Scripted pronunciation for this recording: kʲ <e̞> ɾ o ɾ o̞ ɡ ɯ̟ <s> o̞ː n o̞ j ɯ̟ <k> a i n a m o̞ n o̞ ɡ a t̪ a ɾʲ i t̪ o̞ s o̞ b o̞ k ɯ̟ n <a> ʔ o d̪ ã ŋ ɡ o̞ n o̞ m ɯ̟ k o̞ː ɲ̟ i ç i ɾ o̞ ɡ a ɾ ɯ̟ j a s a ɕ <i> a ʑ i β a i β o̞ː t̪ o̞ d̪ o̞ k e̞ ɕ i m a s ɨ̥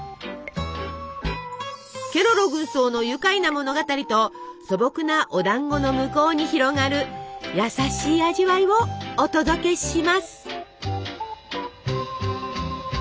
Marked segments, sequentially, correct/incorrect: correct, correct, correct, correct, incorrect: iː

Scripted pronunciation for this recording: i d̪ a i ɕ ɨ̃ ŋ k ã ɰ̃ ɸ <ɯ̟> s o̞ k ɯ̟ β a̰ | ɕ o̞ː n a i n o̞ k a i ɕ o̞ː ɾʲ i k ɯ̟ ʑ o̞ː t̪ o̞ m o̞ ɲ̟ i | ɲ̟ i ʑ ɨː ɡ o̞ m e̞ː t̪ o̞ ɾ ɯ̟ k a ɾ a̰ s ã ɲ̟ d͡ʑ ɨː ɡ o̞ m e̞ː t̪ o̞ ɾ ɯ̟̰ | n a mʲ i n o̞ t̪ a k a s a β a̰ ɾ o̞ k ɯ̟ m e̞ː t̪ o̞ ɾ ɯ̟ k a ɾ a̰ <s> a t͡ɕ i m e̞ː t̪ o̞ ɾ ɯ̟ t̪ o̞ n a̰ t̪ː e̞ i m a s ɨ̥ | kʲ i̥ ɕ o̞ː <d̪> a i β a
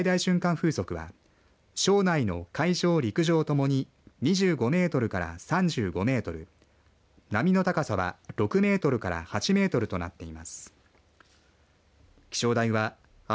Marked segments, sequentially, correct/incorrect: incorrect: ɯ̟ː, incorrect: h, correct

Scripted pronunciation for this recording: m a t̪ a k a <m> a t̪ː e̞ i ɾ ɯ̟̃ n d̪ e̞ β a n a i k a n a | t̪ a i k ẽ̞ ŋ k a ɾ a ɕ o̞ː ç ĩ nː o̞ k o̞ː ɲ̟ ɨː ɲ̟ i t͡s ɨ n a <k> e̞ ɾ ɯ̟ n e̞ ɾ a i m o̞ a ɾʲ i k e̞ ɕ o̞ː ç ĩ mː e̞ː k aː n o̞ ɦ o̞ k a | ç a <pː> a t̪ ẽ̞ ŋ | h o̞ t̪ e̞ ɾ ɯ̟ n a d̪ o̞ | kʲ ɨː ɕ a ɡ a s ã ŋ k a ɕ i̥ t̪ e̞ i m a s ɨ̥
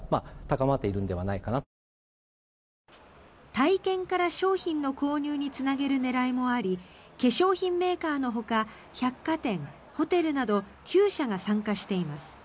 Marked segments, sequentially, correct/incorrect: correct, incorrect: ɡ, incorrect: kː

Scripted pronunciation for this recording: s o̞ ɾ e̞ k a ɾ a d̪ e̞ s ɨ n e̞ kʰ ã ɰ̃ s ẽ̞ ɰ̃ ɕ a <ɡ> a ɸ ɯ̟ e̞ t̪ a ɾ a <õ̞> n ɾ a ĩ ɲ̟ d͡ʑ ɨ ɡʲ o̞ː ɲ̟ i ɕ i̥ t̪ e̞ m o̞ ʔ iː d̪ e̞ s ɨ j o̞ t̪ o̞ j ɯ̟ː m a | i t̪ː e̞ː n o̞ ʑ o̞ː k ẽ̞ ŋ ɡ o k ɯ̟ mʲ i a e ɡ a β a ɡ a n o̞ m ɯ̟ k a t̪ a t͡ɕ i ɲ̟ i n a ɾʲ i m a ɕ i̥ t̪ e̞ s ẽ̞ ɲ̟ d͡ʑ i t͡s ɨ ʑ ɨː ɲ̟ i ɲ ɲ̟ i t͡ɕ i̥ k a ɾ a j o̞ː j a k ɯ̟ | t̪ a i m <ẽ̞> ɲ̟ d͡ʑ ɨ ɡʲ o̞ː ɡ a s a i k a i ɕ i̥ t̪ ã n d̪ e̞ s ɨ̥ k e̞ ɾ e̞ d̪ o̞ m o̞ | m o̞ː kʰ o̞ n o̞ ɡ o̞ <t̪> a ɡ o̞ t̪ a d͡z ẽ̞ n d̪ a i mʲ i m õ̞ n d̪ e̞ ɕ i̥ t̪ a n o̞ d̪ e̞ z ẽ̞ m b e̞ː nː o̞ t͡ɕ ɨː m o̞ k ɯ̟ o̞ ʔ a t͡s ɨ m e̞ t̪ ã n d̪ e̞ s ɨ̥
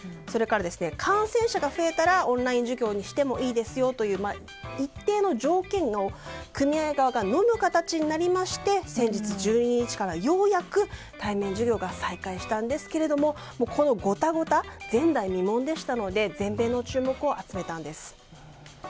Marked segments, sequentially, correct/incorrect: correct, correct, correct, correct

